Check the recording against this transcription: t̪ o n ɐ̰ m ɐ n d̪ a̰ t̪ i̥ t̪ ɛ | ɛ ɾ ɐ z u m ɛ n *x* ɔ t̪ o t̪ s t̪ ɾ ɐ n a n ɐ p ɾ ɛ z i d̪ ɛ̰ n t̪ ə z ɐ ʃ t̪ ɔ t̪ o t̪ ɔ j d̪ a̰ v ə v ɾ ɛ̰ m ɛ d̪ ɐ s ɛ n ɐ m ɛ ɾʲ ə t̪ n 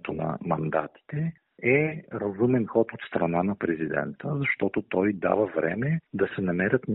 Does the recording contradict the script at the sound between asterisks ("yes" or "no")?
no